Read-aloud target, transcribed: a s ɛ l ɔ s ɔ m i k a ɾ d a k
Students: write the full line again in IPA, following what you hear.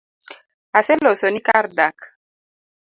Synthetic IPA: a s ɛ l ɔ s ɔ n i k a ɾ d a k